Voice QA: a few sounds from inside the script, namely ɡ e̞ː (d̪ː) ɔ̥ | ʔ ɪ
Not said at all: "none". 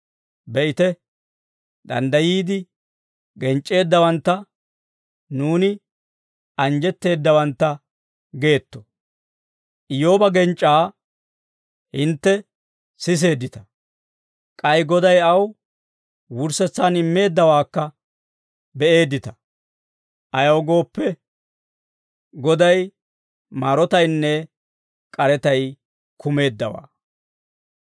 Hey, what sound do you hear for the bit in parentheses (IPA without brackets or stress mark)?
t̪ː